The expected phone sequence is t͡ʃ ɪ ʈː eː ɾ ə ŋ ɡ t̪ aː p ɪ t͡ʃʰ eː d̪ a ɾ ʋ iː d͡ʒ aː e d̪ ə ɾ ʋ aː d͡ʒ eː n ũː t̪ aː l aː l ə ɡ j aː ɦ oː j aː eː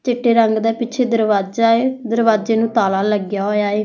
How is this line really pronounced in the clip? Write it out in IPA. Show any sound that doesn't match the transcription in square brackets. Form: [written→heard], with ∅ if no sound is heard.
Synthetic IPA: t͡ʃ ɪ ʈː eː ɾ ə ŋ ɡ [t̪→d̪] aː p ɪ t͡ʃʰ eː d̪ [a→ə] ɾ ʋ [iː→aː] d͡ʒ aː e d̪ ə ɾ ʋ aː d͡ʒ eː n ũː t̪ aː l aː l ə ɡ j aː ɦ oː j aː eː